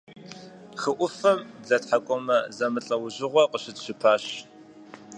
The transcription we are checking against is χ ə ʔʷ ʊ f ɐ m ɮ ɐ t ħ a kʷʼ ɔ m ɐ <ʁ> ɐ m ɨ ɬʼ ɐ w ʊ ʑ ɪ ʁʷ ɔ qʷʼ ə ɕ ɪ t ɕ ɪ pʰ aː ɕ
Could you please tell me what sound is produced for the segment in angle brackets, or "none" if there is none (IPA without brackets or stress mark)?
z